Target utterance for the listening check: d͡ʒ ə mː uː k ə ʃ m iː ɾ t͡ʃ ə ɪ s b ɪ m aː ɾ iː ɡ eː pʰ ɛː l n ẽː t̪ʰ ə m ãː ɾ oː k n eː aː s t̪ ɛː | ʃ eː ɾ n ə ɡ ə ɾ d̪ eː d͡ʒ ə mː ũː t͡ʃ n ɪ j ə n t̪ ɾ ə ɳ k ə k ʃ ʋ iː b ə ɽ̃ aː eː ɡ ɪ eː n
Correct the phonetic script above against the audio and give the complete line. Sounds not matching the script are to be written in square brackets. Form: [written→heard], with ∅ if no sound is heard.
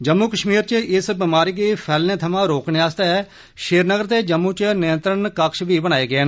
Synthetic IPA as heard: d͡ʒ ə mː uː k ə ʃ m iː ɾ t͡ʃ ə ɪ s b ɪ m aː ɾ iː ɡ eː pʰ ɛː l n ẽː t̪ʰ ə m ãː ɾ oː k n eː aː s t̪ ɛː | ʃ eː ɾ n ə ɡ ə ɾ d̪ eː d͡ʒ ə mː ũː t͡ʃ n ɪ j ə n t̪ ɾ ə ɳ k ə k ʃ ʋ iː b ə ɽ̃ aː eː ɡ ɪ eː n